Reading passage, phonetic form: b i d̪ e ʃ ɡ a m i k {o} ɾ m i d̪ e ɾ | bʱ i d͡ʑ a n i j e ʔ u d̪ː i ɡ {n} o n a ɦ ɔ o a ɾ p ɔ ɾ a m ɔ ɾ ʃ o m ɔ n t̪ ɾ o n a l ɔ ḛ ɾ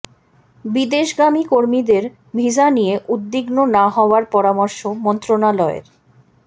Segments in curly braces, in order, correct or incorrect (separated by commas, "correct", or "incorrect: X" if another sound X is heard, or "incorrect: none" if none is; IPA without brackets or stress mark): correct, correct